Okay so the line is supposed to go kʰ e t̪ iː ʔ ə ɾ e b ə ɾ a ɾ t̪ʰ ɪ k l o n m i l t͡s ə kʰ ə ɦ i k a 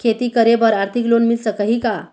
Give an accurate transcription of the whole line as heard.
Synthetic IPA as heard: kʰ e t̪ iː k ə ɾ e b ə ɾ a ɾ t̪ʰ i k l o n m i l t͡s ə k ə ɦ i k a